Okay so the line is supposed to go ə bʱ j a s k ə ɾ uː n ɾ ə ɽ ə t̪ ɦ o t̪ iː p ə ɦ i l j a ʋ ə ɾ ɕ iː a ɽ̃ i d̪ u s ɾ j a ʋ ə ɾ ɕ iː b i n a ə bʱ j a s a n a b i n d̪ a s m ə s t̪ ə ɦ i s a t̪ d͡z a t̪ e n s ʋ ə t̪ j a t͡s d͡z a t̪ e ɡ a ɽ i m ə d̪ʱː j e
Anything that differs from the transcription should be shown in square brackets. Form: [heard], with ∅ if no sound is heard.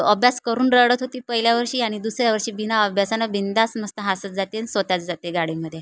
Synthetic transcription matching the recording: ə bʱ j a s k ə ɾ uː n ɾ ə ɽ ə t̪ ɦ o t̪ iː p ə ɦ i l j a ʋ ə ɾ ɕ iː a ɽ̃ i d̪ u s ɾ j a ʋ ə ɾ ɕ iː b i n a ə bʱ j a s a n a b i n d̪ a s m ə s t̪ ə ɦ [a] s [ə] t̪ d͡z a t̪ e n s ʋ ə t̪ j a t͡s d͡z a t̪ e ɡ a ɽ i m ə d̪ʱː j e